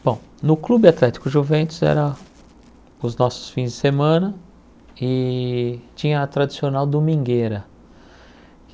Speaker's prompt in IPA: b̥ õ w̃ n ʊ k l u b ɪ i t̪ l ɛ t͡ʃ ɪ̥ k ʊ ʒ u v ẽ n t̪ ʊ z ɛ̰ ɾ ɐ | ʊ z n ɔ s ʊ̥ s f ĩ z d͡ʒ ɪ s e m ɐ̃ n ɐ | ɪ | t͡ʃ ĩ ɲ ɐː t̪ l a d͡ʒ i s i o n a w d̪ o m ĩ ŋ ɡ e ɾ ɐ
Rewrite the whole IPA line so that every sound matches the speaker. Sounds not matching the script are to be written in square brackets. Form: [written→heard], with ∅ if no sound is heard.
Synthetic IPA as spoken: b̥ õ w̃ n ʊ k l u b ɪ [i→a] t̪ l ɛ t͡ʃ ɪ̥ k ʊ ʒ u v ẽ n t̪ ʊ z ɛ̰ ɾ ɐ | ʊ z n ɔ s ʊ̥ s f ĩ z d͡ʒ ɪ s e m ɐ̃ n ɐ | ɪ | t͡ʃ ĩ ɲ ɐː t̪ [l→ɾ] a d͡ʒ i s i o n a w d̪ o m ĩ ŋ ɡ e ɾ ɐ

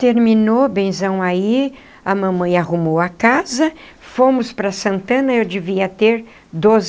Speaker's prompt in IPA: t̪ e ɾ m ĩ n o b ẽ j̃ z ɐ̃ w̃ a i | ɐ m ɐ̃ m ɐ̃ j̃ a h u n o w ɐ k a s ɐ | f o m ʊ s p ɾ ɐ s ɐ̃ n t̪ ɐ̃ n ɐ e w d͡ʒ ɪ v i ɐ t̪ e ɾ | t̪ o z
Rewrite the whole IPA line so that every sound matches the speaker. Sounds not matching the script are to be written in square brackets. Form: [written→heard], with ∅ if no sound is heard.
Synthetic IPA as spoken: t̪ e ɾ m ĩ n o b ẽ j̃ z ɐ̃ w̃ a i | ɐ m ɐ̃ m ɐ̃ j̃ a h u [n→m] o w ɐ k a [s→z] ɐ | f o m ʊ s p ɾ ɐ s ɐ̃ n t̪ ɐ̃ n ɐ e w d͡ʒ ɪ v i ɐ t̪ e ɾ | [t̪→d̪] o z

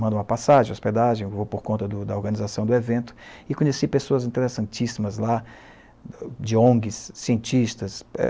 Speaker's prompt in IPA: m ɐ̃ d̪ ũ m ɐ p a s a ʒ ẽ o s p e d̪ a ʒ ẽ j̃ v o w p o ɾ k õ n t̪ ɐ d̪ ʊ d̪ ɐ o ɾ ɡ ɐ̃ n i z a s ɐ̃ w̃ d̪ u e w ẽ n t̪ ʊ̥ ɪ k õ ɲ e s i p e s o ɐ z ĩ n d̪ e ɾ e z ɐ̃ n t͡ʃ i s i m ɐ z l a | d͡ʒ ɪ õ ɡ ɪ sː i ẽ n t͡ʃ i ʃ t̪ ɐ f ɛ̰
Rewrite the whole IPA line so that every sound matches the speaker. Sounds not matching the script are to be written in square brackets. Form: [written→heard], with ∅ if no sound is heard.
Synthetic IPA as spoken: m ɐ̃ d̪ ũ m ɐ p a s a ʒ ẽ o s p e d̪ a ʒ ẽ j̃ v o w p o ɾ k õ n t̪ ɐ d̪ ʊ d̪ ɐ o ɾ ɡ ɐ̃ n i z a s ɐ̃ w̃ d̪ [u→ʊ] e [w→v] ẽ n t̪ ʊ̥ ɪ k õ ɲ e s i p e s o ɐ z ĩ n [d̪→t̪] e ɾ e [z→s] ɐ̃ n t͡ʃ i s i m ɐ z l a | d͡ʒ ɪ õ ɡ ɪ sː i ẽ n t͡ʃ i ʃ t̪ ɐ [f→s] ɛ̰

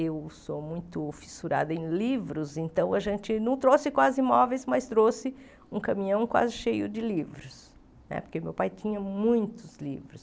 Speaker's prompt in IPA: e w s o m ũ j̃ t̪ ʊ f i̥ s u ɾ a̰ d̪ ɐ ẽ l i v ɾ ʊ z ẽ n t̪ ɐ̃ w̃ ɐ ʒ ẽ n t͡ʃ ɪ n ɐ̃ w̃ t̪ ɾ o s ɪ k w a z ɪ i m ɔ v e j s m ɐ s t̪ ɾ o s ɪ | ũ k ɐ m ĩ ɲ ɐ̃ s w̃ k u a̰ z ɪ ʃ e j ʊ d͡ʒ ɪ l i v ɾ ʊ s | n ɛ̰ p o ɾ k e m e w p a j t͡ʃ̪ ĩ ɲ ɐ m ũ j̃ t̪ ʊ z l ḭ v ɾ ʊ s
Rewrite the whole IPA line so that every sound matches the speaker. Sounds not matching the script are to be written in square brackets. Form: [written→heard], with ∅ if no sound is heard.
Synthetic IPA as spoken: e w s o m ũ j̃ t̪ ʊ f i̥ s u ɾ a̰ d̪ ɐ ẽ l i v ɾ ʊ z ẽ n t̪ ɐ̃ w̃ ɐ ʒ ẽ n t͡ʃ ɪ n ɐ̃ w̃ t̪ ɾ o s ɪ k w a z ɪ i m ɔ v e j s m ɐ s t̪ ɾ o s ɪ | ũ k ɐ m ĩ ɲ ɐ̃ [s→∅] w̃ k [u→w] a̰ z ɪ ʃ e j ʊ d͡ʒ ɪ l i v ɾ ʊ s | n ɛ̰ p o ɾ k e m e w p a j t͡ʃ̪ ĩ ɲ ɐ m ũ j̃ t̪ ʊ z l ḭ v ɾ ʊ s

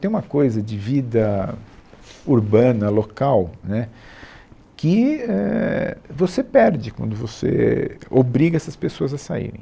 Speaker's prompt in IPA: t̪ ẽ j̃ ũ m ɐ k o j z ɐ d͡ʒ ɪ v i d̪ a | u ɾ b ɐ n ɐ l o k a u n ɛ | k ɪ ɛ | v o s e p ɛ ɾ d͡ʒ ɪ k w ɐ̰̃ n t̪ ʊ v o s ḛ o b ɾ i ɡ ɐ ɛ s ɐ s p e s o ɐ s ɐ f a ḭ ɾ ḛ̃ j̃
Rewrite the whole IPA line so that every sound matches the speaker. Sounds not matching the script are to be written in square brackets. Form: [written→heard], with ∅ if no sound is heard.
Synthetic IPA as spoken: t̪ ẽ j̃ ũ m ɐ k o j z ɐ d͡ʒ ɪ v i d̪ [a→ɐ] | u ɾ b [ɐ→ɐ̃] n ɐ l o k a [u→w] n ɛ | k ɪ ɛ | v o s e p ɛ ɾ d͡ʒ ɪ k w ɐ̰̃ n [t̪→d̪] ʊ v o s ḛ o b ɾ i ɡ ɐ ɛ s ɐ s p e s o ɐ [s→z] ɐ [f→s] a ḭ ɾ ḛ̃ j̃

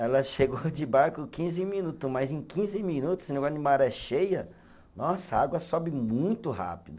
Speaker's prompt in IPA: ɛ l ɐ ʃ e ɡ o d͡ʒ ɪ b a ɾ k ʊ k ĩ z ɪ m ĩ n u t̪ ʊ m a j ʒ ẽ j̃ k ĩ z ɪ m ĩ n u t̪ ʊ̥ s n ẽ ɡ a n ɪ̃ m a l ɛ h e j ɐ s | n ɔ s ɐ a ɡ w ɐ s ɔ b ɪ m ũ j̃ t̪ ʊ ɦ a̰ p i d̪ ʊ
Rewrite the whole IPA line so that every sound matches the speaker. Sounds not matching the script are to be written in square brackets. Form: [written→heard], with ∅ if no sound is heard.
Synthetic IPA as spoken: ɛ l ɐ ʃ e ɡ o d͡ʒ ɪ b a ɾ k ʊ k ĩ z ɪ m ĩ n u t̪ ʊ m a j [ʒ→z] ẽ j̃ k ĩ z ɪ m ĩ n u t̪ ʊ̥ s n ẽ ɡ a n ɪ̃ m a [l→ɾ] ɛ [h→ʃ] e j ɐ [s→∅] | n ɔ s ɐ a ɡ w ɐ s ɔ b ɪ m ũ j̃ t̪ ʊ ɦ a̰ p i d̪ ʊ

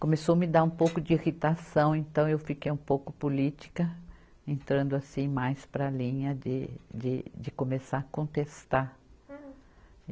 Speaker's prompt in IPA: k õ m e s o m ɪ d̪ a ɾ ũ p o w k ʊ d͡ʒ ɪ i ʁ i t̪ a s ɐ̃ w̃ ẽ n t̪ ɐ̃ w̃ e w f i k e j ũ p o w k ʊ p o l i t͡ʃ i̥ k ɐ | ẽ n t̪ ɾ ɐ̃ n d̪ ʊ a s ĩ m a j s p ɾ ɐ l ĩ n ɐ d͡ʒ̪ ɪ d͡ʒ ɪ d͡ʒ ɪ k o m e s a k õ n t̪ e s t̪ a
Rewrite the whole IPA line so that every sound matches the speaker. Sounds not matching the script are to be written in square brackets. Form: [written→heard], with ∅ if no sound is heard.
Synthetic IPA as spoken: k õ m e s o m ɪ d̪ a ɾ ũ p o w k ʊ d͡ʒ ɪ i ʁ i t̪ a s ɐ̃ w̃ ẽ n t̪ ɐ̃ w̃ e w f i k e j ũ p o w k ʊ p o l i t͡ʃ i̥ k ɐ | ẽ n t̪ ɾ ɐ̃ n d̪ ʊ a s ĩ m a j s p ɾ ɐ l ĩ [n→ɲ] ɐ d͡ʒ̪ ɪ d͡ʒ ɪ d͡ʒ ɪ k o m e s a k õ n t̪ e s t̪ a

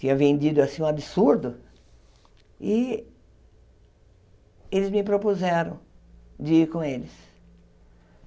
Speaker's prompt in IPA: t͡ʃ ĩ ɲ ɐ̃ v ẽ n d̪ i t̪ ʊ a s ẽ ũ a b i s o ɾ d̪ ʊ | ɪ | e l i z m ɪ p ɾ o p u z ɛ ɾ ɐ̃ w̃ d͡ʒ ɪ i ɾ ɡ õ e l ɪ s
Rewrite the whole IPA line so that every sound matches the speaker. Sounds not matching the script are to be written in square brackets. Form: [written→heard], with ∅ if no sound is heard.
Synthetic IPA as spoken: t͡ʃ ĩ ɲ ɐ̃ v ẽ n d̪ i [t̪→d̪] ʊ a s [ẽ→ĩ] ũ a b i s [o→u] ɾ d̪ ʊ | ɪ | e l [i→ɪ] z m ɪ p ɾ o p u z ɛ ɾ ɐ̃ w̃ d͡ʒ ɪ i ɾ [ɡ→k] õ e l ɪ s

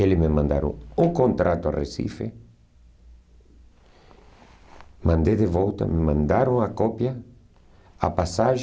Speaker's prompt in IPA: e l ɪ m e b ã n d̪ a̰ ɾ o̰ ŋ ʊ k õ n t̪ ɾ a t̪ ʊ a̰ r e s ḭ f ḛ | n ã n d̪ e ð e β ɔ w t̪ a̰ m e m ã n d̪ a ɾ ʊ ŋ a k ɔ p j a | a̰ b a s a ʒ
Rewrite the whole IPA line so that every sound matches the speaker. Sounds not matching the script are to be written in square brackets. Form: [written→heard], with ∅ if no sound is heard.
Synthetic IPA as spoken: e l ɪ m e [b→m] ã n d̪ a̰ ɾ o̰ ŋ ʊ k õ n t̪ ɾ a t̪ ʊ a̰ r e s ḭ f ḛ | [n→m] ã n d̪ e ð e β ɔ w t̪ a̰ m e m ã n d̪ a ɾ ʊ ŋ a k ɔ p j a | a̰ [b→p] a s a ʒ

